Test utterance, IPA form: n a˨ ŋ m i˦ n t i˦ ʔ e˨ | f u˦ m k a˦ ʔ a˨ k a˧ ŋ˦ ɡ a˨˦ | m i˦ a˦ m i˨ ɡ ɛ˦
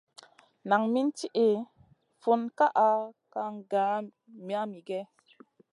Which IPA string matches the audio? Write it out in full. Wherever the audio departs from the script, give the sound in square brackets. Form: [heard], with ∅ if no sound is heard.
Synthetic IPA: n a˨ ŋ m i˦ n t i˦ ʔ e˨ | f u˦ [n] k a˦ ʔ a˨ k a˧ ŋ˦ ɡ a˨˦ | m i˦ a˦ m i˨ ɡ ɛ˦